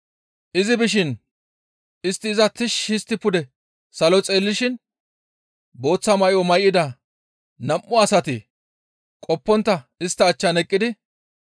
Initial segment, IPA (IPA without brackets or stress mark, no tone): ʔ